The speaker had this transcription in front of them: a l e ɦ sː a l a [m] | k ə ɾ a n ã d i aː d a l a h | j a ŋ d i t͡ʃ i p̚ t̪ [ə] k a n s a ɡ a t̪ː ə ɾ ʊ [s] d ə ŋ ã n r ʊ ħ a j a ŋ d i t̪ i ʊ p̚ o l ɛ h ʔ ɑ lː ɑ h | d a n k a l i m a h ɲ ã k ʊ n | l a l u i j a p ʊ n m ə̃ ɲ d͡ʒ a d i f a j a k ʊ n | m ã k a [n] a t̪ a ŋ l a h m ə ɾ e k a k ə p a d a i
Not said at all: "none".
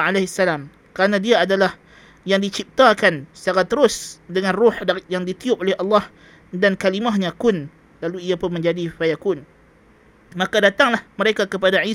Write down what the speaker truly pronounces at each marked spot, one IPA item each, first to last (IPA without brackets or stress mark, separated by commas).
m, a, s, d